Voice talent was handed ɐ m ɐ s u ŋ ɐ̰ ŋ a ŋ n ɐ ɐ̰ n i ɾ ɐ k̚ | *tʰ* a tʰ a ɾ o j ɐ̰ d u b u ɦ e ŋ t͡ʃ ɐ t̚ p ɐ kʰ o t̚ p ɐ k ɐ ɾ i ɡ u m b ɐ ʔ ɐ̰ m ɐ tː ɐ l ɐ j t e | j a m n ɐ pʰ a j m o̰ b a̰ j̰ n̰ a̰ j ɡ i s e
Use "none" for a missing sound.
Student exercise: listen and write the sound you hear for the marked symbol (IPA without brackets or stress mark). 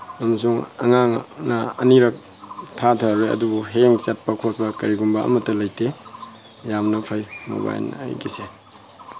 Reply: tʰ